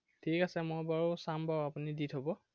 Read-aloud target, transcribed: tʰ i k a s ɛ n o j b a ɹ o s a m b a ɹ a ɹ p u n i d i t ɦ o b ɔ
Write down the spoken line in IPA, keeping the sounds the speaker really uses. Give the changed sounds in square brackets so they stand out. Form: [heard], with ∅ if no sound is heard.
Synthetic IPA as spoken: tʰ i k a s ɛ [m] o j b a ɹ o s a m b a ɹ a [∅] p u n i d i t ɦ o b ɔ